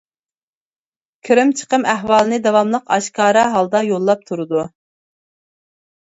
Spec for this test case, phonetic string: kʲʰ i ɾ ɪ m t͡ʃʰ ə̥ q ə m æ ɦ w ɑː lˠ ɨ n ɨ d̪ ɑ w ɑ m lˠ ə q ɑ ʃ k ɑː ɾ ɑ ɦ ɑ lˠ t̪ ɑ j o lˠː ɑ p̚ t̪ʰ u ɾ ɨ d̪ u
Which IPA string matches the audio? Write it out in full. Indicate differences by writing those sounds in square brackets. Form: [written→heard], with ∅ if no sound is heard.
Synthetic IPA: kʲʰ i ɾ ɪ m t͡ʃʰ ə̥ q ə m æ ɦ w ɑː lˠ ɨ n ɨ d̪ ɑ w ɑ m lˠ ə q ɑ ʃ k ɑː ɾ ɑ ɦ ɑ lˠ [t̪→d̪] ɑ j o lˠː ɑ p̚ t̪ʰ u ɾ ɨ d̪ u